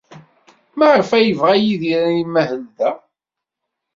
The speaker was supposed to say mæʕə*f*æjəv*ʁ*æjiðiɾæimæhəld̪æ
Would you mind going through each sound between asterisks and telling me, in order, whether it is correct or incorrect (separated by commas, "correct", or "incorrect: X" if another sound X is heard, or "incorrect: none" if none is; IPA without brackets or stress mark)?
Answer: correct, correct